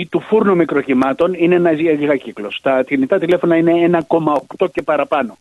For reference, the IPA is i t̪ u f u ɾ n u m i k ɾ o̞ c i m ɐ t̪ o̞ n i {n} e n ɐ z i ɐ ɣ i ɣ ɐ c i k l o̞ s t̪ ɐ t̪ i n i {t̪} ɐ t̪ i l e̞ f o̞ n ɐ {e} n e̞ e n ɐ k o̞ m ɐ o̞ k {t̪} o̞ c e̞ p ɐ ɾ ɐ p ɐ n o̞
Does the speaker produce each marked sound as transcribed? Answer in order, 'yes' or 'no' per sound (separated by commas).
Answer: yes, yes, no, yes